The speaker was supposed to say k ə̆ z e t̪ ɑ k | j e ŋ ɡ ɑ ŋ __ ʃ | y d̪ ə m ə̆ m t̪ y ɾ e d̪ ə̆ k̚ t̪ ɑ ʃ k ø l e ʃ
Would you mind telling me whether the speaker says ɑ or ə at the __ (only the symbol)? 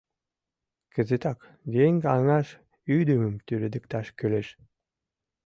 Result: ɑ